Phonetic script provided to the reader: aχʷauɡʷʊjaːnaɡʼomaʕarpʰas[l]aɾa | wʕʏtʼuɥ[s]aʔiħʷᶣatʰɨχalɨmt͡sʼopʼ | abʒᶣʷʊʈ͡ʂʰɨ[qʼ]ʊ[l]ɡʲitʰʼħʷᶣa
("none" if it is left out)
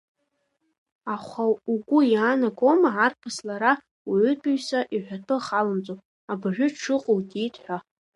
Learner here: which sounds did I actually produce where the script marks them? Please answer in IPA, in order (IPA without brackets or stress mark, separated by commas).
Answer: l, s, qʼ, l